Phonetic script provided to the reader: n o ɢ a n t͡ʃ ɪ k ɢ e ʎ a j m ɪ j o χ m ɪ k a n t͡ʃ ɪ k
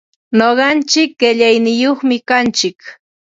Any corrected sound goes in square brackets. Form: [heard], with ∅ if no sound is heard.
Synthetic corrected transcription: n o ɢ [ɑ] n t͡ʃ ɪ k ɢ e ʎ a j [n] ɪ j o χ m ɪ k a n t͡ʃ ɪ k

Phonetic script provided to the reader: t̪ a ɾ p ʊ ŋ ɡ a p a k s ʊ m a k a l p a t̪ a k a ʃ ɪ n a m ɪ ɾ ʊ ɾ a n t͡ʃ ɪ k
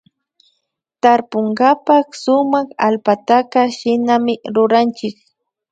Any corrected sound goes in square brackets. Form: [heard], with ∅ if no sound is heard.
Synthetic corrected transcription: t̪ a ɾ p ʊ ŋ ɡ a p a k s ʊ m a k a l p a t̪ a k a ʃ ɪ n a m ɪ ɾ ʊ ɾ a n t͡ʃ ɪ k

